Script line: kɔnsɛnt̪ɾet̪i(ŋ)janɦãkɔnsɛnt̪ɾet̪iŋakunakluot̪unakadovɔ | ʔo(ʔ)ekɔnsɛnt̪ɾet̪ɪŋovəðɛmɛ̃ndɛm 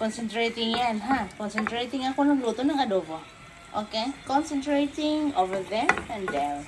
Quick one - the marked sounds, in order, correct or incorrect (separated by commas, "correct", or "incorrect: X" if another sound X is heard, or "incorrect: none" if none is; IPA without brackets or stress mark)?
correct, incorrect: k